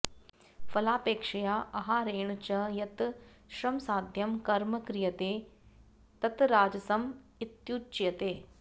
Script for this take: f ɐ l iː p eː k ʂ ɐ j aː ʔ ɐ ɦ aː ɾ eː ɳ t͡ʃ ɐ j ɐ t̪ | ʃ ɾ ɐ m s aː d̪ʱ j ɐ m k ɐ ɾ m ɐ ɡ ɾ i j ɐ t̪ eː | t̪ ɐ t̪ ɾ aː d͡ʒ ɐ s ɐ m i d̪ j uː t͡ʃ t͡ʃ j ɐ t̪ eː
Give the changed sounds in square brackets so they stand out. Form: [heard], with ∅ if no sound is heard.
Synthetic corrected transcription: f ɐ l [aː] p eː k ʂ ɐ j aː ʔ ɐ ɦ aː ɾ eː ɳ t͡ʃ ɐ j ɐ t̪ | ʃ ɾ ɐ m s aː d̪ʱ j ɐ m k ɐ ɾ m ɐ [k] ɾ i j ɐ t̪ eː | t̪ ɐ t̪ ɾ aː d͡ʒ ɐ s ɐ m i [t̪] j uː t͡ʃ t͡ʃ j ɐ t̪ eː